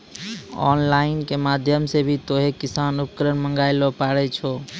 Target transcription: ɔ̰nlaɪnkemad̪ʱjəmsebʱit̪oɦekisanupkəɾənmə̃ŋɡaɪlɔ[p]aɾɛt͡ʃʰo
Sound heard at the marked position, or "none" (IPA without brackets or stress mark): p